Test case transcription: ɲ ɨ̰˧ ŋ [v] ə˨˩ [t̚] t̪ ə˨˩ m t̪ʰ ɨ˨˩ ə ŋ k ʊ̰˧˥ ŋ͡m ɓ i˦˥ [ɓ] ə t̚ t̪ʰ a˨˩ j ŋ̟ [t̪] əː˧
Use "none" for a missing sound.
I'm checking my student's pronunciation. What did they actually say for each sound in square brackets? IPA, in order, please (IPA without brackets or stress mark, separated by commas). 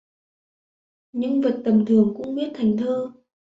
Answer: v, t̚, none, t̪ʰ